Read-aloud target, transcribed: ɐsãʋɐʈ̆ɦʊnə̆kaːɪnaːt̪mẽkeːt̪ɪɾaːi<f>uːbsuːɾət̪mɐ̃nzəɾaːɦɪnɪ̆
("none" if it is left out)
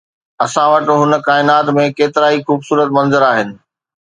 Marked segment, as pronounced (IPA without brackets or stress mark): x